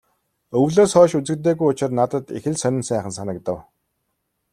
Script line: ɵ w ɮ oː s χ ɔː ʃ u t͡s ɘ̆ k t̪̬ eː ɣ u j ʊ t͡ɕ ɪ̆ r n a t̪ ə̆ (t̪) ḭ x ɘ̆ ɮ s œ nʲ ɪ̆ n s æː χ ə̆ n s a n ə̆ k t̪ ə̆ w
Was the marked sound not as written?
no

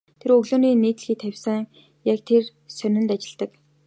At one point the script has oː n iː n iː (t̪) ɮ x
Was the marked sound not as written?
no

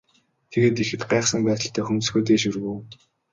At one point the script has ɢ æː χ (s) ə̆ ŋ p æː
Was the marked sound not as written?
no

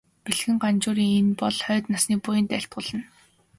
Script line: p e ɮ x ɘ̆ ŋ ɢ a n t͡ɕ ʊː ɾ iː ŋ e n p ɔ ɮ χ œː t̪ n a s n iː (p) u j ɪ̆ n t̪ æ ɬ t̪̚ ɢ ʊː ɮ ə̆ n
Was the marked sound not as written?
no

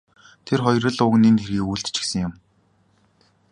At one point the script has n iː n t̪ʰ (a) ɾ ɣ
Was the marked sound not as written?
yes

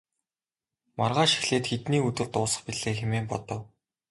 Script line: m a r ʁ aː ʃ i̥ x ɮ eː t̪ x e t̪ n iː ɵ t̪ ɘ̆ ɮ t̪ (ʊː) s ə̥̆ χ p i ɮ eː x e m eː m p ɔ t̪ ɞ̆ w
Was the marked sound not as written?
no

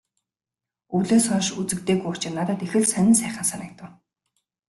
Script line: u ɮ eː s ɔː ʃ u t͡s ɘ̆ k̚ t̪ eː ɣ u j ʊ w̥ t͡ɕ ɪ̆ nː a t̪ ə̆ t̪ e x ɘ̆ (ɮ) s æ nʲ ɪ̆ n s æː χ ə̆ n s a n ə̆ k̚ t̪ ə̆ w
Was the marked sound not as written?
no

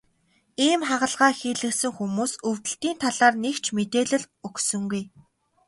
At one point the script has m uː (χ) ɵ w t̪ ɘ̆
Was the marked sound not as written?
yes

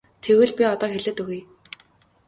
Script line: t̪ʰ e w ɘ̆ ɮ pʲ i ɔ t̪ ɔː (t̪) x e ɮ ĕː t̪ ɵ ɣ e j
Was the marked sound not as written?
yes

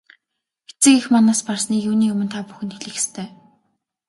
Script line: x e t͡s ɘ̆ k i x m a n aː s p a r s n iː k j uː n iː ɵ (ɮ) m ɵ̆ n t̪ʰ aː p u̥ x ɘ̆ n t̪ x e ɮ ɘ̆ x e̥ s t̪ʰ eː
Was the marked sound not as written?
yes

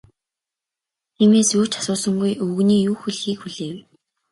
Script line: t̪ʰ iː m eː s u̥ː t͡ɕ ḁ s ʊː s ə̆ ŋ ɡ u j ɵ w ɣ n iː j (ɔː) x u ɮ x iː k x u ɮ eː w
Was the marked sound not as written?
yes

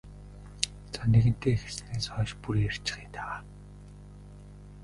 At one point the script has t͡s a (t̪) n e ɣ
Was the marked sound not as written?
yes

